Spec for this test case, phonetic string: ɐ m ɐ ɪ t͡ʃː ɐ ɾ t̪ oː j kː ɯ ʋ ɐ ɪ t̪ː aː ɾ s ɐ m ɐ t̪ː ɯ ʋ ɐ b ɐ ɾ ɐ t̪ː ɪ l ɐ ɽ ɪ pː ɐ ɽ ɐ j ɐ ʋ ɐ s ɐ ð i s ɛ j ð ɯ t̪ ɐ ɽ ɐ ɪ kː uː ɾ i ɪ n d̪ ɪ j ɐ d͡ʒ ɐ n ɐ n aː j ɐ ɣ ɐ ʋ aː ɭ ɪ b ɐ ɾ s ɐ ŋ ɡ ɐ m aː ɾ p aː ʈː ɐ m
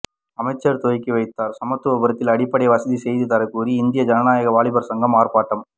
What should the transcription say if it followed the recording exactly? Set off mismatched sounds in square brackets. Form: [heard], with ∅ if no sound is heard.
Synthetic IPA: ɐ m ɐ ɪ t͡ʃː ɐ ɾ t̪ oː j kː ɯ ʋ ɐ ɪ t̪ː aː ɾ s ɐ m ɐ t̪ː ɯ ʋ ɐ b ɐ ɾ ɐ t̪ː ɪ l ɐ ɽ ɪ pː ɐ ɽ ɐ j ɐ ʋ ɐ s ɐ ð i s ɛ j ð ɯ t̪ ɐ [ɾ] ɐ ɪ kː uː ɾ i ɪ n d̪ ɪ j ɐ d͡ʒ ɐ n ɐ n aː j ɐ ɣ ɐ ʋ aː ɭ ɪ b ɐ ɾ s ɐ ŋ ɡ ɐ m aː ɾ p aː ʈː ɐ m